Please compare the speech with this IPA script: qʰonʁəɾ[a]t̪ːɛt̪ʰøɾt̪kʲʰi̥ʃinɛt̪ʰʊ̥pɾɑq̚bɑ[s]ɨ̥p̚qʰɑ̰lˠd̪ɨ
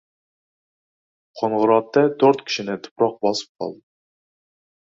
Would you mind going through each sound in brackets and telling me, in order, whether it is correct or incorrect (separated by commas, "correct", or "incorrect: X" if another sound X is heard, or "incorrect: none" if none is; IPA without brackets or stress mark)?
incorrect: ɑ, correct